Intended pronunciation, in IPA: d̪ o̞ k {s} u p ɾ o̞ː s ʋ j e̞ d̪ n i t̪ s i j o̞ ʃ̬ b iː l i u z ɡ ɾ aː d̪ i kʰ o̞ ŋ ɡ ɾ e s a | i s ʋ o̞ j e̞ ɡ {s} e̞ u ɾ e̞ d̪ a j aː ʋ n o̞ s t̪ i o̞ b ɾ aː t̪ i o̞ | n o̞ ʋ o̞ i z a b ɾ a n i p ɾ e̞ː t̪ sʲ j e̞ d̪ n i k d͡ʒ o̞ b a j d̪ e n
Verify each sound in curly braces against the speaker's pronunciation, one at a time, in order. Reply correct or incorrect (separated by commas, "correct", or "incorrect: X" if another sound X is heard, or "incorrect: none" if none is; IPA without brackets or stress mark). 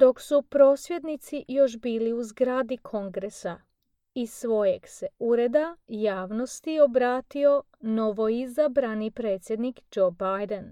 correct, correct